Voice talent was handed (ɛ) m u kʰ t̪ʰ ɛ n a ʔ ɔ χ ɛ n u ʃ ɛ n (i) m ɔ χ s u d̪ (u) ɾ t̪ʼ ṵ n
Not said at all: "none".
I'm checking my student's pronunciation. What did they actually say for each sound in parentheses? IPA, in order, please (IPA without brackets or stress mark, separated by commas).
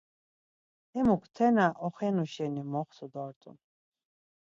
ɛ, i, ɔ